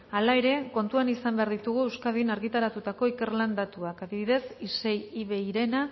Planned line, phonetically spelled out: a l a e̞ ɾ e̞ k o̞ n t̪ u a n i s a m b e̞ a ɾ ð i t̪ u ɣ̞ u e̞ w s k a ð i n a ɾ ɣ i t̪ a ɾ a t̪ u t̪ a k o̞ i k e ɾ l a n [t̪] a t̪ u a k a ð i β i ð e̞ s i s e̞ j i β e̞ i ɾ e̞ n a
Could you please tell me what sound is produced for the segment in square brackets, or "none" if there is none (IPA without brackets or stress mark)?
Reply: d̪